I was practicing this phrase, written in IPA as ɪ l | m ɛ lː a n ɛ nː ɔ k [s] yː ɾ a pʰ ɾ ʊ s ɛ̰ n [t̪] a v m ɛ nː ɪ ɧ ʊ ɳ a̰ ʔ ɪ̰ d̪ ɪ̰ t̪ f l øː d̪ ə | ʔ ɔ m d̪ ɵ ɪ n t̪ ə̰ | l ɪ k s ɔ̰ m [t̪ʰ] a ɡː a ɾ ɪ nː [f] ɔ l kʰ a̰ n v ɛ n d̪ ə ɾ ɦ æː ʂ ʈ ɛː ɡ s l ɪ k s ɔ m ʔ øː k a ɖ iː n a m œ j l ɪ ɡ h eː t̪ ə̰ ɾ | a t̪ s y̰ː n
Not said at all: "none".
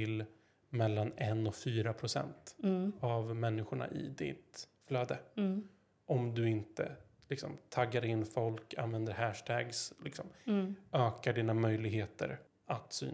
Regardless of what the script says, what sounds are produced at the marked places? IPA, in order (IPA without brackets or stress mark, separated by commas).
f, t̪, t̪ʰ, f